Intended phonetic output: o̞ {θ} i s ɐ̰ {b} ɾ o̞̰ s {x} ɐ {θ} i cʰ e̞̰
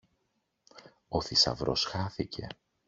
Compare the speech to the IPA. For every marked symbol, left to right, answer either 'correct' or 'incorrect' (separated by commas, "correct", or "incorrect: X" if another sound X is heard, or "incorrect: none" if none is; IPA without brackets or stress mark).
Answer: correct, incorrect: v, correct, correct